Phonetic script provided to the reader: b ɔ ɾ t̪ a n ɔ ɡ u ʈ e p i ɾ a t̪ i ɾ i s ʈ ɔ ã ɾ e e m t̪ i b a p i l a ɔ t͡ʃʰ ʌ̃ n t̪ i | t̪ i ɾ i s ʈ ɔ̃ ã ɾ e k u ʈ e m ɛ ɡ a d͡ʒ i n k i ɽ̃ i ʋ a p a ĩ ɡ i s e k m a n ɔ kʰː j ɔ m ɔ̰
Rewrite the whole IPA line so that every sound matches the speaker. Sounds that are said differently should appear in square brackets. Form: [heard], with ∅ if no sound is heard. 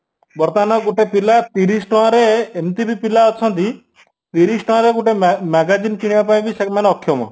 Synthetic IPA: b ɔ ɾ t̪ a n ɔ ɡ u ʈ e p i [l] a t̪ i ɾ i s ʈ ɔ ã ɾ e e m t̪ i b [i] p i l a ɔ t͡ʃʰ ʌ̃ n t̪ i | t̪ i ɾ i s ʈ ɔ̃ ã ɾ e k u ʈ e m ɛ ɡ a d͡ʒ i n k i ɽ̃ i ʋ a p a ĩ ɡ i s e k m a n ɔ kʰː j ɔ m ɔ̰